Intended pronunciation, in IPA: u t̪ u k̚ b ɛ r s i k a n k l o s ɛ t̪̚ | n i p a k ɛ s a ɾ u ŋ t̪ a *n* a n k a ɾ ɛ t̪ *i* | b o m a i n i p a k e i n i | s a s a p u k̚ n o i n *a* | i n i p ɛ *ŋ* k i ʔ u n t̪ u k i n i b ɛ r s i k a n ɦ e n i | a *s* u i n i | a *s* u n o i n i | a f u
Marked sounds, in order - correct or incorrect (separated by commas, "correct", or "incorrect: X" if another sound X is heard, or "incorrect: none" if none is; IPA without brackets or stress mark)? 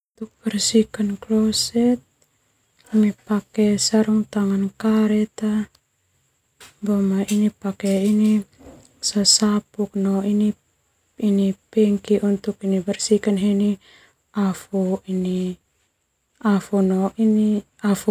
incorrect: ŋ, incorrect: a, incorrect: i, correct, incorrect: f, incorrect: f